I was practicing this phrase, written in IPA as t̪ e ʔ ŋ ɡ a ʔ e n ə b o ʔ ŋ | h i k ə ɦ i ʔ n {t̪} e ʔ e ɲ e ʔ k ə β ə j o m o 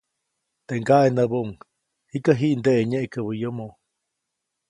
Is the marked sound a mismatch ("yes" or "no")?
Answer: yes